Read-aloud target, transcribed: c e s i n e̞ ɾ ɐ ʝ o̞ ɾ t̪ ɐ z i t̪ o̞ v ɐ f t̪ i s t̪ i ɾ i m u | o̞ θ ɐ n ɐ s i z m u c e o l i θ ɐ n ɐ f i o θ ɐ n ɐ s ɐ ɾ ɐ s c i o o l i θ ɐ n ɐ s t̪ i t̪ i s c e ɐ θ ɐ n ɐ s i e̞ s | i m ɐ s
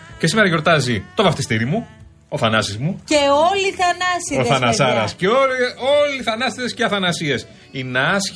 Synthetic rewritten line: c e s i m e̞ ɾ ɐ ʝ o̞ ɾ t̪ ɐ z i t̪ o̞ v ɐ f t̪ i s t̪ i ɾ i m u | o̞ θ ɐ n ɐ s i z m u c e o l i θ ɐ n ɐ s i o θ ɐ n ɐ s ɐ ɾ ɐ s c e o o l i θ ɐ n ɐ s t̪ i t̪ e s c e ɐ θ ɐ n ɐ s i e̞ s | i n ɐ s